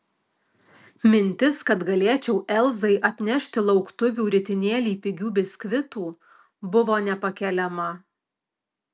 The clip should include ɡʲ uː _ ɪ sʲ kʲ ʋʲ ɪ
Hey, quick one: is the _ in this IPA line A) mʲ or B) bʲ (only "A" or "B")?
B